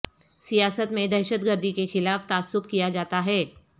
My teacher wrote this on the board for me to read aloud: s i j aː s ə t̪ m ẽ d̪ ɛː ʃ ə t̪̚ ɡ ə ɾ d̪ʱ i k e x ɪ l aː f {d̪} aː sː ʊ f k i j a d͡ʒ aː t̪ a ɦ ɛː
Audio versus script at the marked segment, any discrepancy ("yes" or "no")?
yes